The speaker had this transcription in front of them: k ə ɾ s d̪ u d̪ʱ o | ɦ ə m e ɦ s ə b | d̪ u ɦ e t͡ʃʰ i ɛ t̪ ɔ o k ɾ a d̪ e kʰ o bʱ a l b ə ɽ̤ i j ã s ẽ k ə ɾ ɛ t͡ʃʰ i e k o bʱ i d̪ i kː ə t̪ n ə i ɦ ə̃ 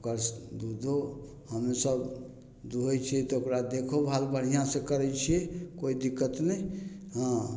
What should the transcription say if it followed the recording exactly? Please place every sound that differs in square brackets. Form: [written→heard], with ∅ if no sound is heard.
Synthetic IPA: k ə ɾ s d̪ u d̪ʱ o | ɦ ə m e [ɦ→∅] s ə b | d̪ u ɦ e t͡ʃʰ i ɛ t̪ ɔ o k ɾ a d̪ e kʰ o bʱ a l b ə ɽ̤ i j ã s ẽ k ə ɾ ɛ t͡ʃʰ i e k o [bʱ→∅] i d̪ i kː ə t̪ n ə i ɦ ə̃